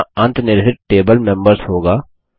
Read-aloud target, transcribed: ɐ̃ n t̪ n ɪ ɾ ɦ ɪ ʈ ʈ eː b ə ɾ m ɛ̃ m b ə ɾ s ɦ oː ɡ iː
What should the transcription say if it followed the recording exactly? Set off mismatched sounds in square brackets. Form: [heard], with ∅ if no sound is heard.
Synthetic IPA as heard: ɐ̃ n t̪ n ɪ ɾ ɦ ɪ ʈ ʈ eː b ə [l] m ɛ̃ m b ə ɾ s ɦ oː ɡ [aː]